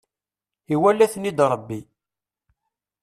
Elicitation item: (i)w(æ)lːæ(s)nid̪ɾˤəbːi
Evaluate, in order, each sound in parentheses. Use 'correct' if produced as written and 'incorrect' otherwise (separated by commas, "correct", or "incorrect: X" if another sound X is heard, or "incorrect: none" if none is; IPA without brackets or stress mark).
correct, correct, incorrect: θ